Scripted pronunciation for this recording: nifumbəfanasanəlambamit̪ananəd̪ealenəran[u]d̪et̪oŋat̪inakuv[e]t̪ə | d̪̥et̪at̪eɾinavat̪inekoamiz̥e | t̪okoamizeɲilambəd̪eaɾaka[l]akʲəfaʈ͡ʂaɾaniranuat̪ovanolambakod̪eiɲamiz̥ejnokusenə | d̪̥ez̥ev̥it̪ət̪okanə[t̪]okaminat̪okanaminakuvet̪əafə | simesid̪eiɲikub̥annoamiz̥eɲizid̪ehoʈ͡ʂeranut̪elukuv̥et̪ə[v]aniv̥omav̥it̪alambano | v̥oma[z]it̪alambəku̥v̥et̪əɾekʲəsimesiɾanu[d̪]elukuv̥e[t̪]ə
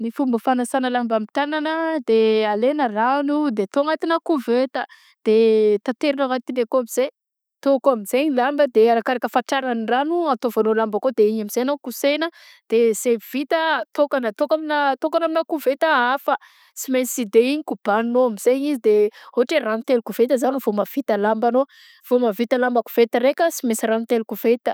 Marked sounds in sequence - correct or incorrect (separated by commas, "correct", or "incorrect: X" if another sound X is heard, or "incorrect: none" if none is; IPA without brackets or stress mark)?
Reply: correct, correct, incorrect: ɾ, correct, incorrect: z, incorrect: v, incorrect: t̪, correct